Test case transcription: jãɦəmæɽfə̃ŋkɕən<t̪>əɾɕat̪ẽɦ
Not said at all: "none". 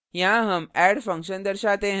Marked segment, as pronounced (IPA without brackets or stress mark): d̪